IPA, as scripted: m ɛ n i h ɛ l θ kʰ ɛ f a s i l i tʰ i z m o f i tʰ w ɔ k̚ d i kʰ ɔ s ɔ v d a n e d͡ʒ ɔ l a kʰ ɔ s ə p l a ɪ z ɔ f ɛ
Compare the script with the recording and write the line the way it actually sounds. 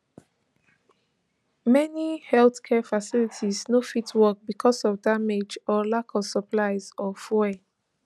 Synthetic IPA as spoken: m ɛ n i h ɛ l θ kʰ ɛ f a s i l i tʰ i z n o f i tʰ w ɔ k̚ b i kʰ ɔ s ɔ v d a m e d͡ʒ ɔ l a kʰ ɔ s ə p l a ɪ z ɔ f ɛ